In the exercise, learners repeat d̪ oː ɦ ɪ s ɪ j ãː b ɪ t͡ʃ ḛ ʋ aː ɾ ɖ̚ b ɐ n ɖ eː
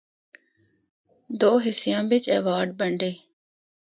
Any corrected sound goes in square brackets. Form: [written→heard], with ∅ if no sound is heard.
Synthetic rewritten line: d̪ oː ɦ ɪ s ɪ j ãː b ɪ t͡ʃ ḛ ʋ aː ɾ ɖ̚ b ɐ [n→ɳ] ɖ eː